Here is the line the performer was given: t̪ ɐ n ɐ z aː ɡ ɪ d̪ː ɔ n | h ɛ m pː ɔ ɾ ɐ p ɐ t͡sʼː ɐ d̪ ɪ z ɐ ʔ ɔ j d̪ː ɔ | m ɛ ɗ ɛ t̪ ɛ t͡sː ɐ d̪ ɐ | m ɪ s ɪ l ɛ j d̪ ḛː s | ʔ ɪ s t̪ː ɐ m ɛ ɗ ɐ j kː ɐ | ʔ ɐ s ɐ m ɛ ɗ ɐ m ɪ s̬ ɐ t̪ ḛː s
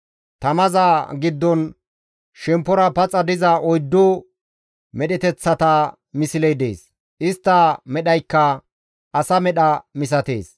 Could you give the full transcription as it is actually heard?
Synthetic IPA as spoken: t̪ ɐ m ɐ z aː ɡ ɪ d̪ː ɔ n | ʃ ɛ m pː ɔ ɾ ɐ p ɐ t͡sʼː ɐ d̪ ɪ z ɐ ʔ ɔ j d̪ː ɔ | m ɛ ɗ ɛ t̪ ɛ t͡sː ɐ t̪ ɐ | m ɪ s ɪ l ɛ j d̪ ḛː s | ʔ ɪ s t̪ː ɐ m ɛ ɗ ɐ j kː ɐ | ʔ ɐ s ɐ m ɛ ɗ ɐ m ɪ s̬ ɐ t̪ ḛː s